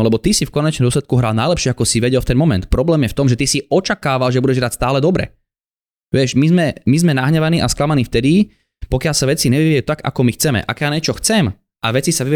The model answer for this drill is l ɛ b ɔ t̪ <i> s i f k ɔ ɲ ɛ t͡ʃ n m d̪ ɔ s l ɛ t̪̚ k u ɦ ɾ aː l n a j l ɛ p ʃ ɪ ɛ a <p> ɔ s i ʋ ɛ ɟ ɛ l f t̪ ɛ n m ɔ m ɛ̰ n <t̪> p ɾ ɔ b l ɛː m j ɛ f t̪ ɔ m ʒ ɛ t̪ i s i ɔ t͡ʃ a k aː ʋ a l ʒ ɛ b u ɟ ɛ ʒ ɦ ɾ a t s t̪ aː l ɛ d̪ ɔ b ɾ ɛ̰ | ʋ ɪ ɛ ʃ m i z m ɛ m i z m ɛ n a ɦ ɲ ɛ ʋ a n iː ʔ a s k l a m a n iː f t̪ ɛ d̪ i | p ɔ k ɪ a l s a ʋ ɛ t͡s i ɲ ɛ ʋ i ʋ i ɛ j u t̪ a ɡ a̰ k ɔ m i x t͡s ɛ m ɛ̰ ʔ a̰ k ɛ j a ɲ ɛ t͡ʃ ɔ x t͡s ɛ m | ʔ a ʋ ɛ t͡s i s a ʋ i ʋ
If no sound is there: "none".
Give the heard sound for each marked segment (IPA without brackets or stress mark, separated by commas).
i, k, t̪